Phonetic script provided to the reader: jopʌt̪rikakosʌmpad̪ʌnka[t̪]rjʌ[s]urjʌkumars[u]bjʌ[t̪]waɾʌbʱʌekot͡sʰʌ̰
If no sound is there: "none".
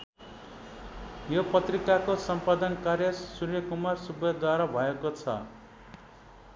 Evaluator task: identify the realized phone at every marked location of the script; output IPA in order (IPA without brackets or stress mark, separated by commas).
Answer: none, s, u, d̪